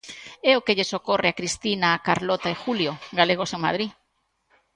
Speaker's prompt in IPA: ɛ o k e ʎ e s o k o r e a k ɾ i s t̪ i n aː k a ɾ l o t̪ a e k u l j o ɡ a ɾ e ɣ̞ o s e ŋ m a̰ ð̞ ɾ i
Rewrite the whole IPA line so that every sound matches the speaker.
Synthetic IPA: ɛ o k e ʎ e s o k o r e a k ɾ i s t̪ i n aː k a ɾ l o t̪ a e x u l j o ɡ a l e ɣ̞ o s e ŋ m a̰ ð̞ ɾ i